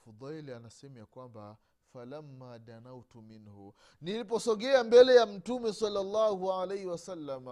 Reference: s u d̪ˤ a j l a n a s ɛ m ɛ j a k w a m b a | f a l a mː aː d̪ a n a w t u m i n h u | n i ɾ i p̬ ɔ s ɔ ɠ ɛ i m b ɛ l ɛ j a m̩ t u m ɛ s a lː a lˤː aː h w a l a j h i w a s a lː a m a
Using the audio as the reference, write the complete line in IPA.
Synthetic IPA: f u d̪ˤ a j l a n a s ɛ m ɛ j a k w a m b a | f a l a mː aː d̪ a n a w t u m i n h u | n i l i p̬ ɔ s ɔ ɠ ɛ a m b ɛ l ɛ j a m̩ t u m ɛ s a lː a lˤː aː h u a l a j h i w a s a lː a m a